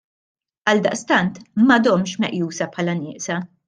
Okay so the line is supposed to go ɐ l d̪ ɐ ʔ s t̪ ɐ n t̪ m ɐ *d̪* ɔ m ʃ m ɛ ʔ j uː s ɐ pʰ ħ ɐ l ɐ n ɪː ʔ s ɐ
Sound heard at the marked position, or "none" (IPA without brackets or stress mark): d̪